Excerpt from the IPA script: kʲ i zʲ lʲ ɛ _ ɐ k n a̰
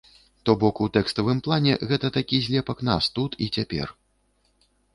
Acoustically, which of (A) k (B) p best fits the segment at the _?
B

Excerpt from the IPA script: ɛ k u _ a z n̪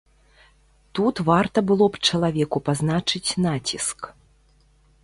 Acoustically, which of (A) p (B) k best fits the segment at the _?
A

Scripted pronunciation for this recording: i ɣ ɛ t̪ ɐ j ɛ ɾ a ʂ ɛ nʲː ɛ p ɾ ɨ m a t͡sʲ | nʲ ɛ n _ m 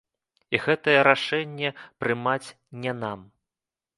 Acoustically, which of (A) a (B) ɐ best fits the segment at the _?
A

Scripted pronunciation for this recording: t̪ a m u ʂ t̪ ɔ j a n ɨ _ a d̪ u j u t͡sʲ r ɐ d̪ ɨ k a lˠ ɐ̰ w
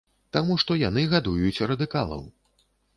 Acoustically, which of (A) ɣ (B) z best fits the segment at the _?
A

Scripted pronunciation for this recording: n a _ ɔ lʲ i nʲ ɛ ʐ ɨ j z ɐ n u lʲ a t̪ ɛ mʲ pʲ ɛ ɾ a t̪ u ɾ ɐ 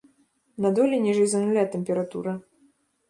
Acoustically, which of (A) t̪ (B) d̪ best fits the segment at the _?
B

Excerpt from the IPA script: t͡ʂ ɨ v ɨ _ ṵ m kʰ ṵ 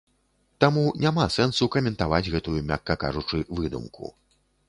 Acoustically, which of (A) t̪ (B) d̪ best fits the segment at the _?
B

